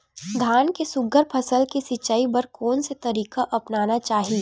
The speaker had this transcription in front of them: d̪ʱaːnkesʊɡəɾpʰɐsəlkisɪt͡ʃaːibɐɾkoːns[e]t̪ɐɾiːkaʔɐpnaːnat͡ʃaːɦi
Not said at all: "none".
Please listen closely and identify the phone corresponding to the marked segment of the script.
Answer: e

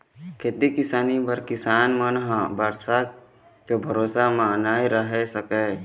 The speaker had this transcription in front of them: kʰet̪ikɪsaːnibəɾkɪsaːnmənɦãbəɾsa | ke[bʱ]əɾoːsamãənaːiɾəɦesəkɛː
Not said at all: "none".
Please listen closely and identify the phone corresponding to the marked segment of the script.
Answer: bʱ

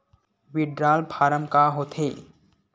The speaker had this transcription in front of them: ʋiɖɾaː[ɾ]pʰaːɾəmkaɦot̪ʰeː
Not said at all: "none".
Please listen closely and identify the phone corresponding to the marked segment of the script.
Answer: l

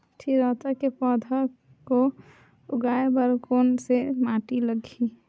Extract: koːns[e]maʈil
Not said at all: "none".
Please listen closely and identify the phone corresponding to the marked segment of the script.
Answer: e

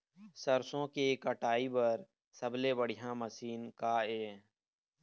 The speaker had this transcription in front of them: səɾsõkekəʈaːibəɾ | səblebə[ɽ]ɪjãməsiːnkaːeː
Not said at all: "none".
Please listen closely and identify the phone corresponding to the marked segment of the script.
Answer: ɽ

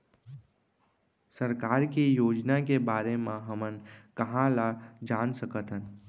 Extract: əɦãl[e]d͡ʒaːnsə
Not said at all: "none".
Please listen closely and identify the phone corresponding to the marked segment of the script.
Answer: a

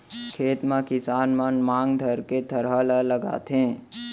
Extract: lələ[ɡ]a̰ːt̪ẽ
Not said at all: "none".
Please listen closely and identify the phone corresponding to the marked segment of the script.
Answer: ɡ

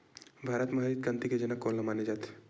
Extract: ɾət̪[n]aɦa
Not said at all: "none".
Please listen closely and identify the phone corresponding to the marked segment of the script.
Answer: m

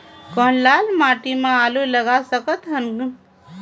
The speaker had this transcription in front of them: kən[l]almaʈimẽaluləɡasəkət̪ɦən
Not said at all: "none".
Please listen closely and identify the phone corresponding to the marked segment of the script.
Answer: l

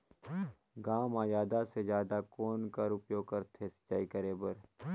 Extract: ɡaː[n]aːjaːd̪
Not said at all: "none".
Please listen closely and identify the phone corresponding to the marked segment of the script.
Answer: m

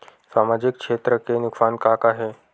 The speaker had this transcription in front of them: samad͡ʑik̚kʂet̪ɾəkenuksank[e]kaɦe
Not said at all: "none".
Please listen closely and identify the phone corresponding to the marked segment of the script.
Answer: a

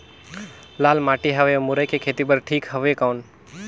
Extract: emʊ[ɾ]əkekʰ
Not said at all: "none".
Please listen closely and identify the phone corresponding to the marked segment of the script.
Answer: ɾ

